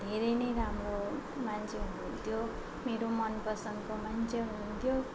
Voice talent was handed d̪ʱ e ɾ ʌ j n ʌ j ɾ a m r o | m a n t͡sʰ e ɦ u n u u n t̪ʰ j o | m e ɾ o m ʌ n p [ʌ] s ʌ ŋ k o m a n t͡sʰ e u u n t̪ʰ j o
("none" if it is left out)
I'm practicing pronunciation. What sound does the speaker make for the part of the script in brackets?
ʌ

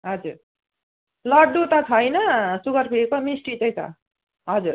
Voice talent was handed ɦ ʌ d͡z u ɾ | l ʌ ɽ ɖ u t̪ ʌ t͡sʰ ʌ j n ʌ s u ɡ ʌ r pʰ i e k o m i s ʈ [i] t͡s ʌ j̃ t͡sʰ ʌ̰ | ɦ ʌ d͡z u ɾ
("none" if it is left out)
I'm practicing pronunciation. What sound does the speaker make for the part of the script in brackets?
i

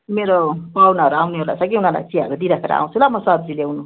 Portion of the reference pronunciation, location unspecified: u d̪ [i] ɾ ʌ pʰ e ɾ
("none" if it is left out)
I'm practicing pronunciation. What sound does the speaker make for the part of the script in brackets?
i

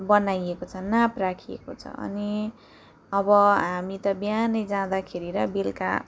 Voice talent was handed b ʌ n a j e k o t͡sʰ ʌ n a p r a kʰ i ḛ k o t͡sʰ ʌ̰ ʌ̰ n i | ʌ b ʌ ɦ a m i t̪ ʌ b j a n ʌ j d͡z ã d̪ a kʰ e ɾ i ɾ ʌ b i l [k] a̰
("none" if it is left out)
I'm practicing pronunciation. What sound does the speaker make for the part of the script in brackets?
k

